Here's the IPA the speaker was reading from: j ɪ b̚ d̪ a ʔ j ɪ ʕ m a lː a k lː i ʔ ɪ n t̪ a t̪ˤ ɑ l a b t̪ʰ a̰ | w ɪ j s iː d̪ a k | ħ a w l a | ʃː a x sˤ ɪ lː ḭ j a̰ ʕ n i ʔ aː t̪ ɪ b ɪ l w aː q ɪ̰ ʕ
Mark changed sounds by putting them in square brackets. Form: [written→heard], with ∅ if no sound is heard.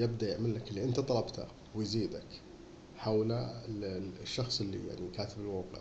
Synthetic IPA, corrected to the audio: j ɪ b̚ d̪ a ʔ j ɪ ʕ m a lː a k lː i ʔ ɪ n t̪ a t̪ˤ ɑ l [a→ɑ] b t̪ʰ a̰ | w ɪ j [s→z] iː d̪ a k | ħ a w l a | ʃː [a→ɑ] x sˤ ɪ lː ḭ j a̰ ʕ n i [ʔ→k] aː t̪ ɪ b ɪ l w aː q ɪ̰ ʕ

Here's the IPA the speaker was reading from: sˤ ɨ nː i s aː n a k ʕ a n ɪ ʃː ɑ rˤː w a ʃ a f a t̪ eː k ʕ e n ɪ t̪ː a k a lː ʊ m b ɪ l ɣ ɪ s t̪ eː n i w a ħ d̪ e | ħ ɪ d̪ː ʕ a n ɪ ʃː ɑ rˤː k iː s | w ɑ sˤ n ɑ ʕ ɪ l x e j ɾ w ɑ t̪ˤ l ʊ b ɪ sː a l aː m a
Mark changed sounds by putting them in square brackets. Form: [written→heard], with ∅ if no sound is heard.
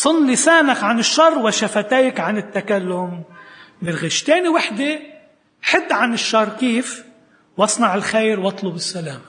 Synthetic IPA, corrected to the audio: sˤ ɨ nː i s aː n a k ʕ a n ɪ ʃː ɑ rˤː w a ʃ a f a t̪ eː k ʕ [e→a] n ɪ t̪ː a k a lː ʊ m b ɪ l ɣ ɪ [s→ʃ] t̪ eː n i w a ħ d̪ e | ħ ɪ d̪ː ʕ a n ɪ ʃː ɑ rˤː k iː [s→f] | w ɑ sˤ n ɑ ʕ ɪ l x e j ɾ w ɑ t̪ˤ l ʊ b ɪ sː a l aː m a

